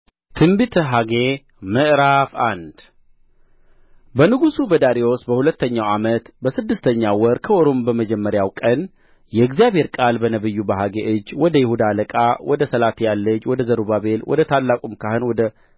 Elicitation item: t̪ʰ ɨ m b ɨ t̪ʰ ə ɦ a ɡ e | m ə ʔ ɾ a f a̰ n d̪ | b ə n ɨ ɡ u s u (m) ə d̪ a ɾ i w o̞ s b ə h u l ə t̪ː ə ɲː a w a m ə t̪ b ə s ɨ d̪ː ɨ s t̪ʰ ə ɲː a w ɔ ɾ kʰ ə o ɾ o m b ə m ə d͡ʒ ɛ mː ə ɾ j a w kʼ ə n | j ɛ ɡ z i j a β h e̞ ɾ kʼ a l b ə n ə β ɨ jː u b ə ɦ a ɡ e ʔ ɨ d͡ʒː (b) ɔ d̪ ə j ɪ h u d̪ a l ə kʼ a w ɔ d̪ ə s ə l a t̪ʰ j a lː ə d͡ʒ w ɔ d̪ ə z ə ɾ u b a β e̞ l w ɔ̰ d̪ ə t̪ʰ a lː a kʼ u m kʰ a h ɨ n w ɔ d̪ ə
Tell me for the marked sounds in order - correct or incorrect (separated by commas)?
incorrect, incorrect